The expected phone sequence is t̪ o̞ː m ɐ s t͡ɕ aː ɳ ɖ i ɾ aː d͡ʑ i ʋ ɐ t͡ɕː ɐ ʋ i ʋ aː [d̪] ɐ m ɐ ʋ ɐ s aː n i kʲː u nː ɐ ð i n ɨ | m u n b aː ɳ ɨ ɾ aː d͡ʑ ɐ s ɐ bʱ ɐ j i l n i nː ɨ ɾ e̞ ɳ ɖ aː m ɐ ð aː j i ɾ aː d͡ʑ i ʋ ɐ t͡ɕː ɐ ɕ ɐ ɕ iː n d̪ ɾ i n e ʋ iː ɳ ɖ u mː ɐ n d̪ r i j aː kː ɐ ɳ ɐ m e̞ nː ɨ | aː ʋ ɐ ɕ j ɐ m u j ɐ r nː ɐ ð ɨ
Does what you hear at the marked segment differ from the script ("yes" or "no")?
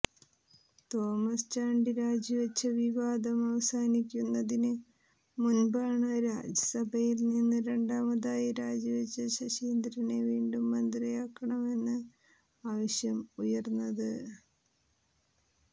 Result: no